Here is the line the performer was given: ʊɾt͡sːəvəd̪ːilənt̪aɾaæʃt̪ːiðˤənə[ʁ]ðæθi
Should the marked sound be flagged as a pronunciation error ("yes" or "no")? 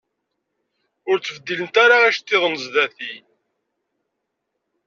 yes